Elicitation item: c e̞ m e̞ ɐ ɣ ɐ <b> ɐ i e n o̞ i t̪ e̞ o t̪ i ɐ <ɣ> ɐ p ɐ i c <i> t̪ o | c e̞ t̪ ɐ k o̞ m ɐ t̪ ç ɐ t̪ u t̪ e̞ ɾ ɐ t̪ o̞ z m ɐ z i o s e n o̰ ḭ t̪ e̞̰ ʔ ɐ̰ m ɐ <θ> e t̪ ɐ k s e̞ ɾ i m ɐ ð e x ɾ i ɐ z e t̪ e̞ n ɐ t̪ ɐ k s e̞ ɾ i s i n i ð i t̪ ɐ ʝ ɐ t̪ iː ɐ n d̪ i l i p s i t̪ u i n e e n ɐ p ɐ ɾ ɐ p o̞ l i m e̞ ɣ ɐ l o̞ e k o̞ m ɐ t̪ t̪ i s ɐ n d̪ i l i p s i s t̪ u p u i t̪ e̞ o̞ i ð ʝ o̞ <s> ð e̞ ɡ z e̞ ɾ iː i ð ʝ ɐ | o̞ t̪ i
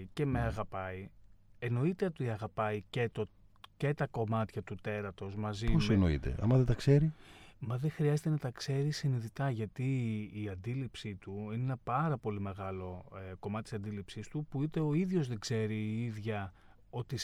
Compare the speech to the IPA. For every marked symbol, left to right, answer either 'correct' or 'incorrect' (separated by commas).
incorrect, correct, incorrect, incorrect, incorrect